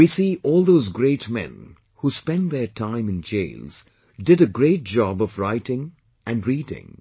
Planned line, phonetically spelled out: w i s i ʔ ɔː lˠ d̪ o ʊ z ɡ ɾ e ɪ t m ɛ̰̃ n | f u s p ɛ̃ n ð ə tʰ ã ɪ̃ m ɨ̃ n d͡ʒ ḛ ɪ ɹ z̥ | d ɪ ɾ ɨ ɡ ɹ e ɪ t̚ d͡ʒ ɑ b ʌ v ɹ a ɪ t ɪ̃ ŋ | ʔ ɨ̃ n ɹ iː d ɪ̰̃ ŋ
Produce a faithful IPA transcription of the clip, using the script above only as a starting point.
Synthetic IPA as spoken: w i s i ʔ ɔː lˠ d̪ o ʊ z ɡ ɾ e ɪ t m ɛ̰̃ n | h u s p ɛ̃ n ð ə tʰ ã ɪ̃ m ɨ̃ n d͡ʒ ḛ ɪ l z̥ | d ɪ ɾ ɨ ɡ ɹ e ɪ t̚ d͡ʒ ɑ b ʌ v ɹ a ɪ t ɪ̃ ŋ | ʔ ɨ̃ n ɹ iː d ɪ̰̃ ŋ